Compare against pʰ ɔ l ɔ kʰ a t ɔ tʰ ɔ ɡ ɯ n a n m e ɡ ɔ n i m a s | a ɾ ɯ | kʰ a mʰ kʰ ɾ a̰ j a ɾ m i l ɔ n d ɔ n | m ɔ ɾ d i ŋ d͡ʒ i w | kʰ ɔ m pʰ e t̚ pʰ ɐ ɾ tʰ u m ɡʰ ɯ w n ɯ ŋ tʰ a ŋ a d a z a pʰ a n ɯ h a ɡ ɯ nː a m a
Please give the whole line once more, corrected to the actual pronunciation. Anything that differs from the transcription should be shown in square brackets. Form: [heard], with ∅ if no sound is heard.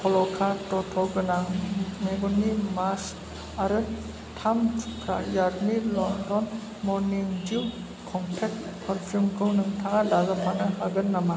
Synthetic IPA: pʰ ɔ l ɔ kʰ a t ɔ tʰ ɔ ɡ ɯ n a [ŋ] m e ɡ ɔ n i m a s | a ɾ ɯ | [tʰ] a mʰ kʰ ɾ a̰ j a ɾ m i l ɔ n d ɔ n | m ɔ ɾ [n] i ŋ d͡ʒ i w | kʰ ɔ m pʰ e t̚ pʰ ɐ ɾ [pʰ] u m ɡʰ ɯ w n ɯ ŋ tʰ a ŋ a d a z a pʰ a n ɯ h a ɡ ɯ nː a m a